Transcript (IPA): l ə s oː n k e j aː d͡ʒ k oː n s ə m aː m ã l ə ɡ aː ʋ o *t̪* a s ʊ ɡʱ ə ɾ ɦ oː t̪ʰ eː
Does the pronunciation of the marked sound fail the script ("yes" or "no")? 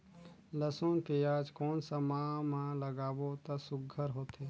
no